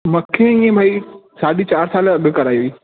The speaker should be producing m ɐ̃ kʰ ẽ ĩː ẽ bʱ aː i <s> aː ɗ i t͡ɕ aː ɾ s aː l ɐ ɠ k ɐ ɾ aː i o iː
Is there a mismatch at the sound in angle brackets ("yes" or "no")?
no